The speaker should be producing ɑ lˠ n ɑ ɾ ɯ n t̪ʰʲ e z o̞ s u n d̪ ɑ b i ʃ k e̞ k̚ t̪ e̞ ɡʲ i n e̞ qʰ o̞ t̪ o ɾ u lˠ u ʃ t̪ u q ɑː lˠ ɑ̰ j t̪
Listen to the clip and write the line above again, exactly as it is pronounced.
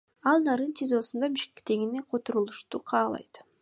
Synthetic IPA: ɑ lˠ n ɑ ɾ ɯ n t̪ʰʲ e z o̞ s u n d̪ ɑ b i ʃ k e̞ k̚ t̪ e̞ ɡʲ i n e̞ qʰ o̞ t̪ o ɾ u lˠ u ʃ t̪ u qʰ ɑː lˠ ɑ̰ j t̪